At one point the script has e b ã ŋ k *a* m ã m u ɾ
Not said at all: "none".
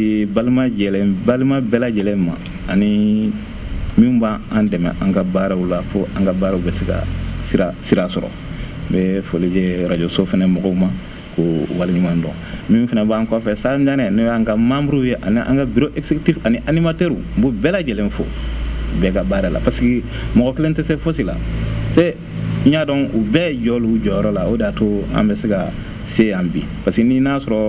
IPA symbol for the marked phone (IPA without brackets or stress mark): a